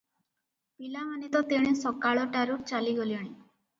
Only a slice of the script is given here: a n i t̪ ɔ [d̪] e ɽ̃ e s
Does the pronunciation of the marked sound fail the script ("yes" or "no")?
yes